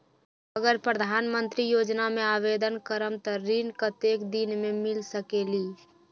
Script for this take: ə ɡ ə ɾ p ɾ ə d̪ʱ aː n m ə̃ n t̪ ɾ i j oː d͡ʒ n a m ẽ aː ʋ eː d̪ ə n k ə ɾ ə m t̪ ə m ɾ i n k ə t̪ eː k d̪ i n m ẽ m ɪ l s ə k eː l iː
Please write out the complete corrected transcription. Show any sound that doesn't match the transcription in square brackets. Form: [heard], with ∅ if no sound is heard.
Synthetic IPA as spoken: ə ɡ ə ɾ p ɾ ə d̪ʱ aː n m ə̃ n t̪ ɾ i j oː d͡ʒ n a m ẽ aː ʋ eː d̪ ə n k ə ɾ ə m t̪ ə [∅] ɾ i n k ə t̪ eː k d̪ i n m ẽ m ɪ l s ə k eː l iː